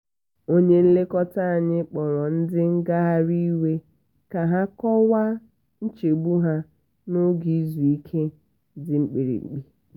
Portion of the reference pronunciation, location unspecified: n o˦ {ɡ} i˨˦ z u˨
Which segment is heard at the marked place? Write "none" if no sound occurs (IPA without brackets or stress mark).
ɡ